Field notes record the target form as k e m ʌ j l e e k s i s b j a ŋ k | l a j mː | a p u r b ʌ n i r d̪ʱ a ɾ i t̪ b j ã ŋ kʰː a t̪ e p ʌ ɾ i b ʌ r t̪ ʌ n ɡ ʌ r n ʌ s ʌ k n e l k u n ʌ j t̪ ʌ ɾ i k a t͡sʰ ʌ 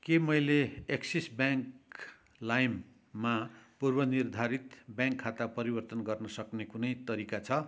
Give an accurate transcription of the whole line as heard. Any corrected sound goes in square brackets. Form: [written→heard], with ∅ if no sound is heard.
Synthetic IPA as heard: k e m ʌ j l e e k s i s b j a ŋ k | l a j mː | a p u r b ʌ n i r d̪ʱ a ɾ i t̪ b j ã ŋ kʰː a t̪ [e→a] p ʌ ɾ i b ʌ r t̪ ʌ n ɡ ʌ r n ʌ s ʌ k n e [l→∅] k u n ʌ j t̪ ʌ ɾ i k a t͡sʰ ʌ